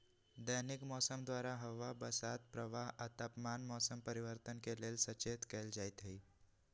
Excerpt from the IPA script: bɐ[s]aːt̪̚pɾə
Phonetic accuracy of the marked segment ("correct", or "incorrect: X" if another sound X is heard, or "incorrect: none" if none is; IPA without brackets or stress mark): correct